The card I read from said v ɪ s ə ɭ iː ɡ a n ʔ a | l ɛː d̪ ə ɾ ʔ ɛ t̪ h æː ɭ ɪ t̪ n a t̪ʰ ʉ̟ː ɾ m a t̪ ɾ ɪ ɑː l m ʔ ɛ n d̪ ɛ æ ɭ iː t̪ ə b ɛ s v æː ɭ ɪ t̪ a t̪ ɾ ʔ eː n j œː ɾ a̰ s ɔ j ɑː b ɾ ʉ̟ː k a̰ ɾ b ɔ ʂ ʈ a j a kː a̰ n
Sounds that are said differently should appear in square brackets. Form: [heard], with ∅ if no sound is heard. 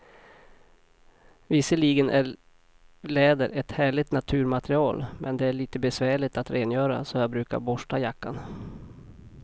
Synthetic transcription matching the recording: v ɪ s ə ɭ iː ɡ [ə] n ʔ [æ] | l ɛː d̪ ə ɾ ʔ ɛ t̪ h æː ɭ ɪ t̪ n a t̪ʰ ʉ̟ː ɾ m a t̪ ɾ ɪ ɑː l m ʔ ɛ n d̪ ɛ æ ɭ iː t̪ ə b ɛ s v æː ɭ ɪ t̪ a t̪ ɾ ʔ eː n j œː ɾ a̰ s ɔ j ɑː b ɾ ʉ̟ː k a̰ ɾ b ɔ ʂ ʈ a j a kː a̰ n